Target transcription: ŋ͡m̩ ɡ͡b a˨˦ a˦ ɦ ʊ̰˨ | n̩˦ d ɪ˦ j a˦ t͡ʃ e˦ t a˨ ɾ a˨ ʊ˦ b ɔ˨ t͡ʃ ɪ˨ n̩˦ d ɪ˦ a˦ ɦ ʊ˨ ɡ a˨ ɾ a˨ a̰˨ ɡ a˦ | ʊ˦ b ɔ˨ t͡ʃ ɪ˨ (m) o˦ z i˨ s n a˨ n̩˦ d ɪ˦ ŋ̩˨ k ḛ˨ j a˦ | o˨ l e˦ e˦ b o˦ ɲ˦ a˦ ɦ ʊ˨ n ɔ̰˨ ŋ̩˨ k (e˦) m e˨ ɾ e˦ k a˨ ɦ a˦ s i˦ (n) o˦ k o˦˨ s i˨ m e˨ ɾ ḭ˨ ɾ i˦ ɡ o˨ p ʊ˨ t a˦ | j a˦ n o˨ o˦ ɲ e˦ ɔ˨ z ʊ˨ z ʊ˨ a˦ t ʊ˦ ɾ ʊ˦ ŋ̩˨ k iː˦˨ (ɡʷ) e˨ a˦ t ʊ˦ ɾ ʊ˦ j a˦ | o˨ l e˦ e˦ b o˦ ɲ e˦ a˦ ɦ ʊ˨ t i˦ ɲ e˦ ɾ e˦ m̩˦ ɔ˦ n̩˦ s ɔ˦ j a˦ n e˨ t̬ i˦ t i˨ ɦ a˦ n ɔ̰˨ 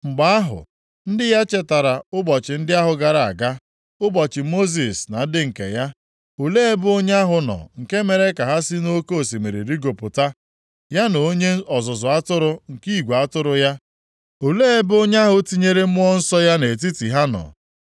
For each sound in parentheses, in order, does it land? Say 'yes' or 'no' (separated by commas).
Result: yes, yes, yes, yes